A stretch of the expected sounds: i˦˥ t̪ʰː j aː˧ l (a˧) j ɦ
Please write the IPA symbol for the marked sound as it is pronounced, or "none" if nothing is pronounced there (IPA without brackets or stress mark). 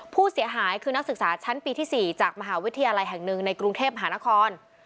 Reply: a˧